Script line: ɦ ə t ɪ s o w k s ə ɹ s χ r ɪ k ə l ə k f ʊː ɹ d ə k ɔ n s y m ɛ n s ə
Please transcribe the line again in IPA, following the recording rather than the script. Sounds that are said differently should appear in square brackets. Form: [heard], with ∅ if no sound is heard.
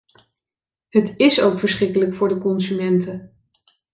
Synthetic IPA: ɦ ə t ɪ s o w k [f] ə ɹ s χ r ɪ k ə l ə k f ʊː ɹ d ə k ɔ n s y m ɛ n [t] ə

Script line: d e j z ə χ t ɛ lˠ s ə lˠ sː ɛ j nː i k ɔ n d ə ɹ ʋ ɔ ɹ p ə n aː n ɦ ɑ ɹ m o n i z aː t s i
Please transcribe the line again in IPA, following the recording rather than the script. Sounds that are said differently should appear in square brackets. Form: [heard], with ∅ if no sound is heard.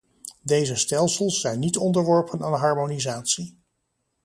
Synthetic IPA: d e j z ə [s] t ɛ lˠ s ə lˠ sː ɛ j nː i [t] ɔ n d ə ɹ ʋ ɔ ɹ p ə n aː n ɦ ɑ ɹ m o n i z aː t s i

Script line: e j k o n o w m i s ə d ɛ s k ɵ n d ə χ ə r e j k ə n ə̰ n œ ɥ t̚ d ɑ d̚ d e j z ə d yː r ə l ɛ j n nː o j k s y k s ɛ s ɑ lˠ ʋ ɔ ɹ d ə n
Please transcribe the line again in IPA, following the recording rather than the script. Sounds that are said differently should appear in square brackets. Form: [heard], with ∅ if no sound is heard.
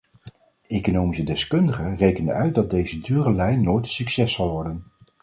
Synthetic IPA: e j k o n o w m i s ə d ɛ s k ɵ n d ə χ ə r e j k ə n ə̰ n œ ɥ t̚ d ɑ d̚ d e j z ə d yː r ə l ɛ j n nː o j [t] s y k s ɛ s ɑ lˠ ʋ ɔ ɹ d ə n

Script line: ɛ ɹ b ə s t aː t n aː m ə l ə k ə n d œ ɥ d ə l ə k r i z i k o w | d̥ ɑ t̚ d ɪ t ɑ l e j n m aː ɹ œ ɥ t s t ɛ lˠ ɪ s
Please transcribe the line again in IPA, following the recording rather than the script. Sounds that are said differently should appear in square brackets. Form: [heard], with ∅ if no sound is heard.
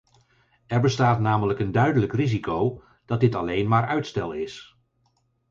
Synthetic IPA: ɛ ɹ b ə s t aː t n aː m ə l ə k ə n d œ ɥ d ə l ə k r i z i k o w | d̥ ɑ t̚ d ɪ t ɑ l e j n m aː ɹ œ ɥ t s t ɛ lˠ ɪ s

